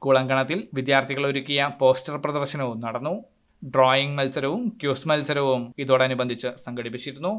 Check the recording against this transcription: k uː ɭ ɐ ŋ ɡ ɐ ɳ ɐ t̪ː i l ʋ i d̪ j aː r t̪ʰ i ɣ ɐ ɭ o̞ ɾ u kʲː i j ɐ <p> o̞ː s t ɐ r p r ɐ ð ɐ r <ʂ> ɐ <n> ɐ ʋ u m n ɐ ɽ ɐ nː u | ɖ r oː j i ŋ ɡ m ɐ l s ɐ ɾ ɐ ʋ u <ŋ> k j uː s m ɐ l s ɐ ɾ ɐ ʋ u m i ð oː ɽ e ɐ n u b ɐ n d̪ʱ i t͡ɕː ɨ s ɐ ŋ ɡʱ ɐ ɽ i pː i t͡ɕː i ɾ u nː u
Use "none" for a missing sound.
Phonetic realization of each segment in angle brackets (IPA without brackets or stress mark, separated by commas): p, ɕ, n, m